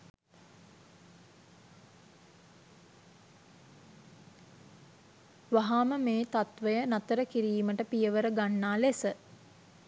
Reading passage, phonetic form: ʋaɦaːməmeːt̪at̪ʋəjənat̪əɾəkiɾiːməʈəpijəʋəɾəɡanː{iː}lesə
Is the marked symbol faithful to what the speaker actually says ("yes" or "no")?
no